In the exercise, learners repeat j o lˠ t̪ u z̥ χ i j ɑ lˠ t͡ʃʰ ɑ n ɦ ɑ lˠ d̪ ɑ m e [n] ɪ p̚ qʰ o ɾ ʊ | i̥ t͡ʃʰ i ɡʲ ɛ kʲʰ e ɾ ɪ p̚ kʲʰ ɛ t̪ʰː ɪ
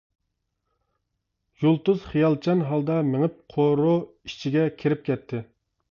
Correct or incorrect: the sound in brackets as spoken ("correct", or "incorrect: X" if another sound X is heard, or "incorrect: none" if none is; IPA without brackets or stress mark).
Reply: incorrect: ŋ